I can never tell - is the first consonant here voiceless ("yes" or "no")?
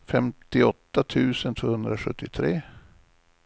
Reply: yes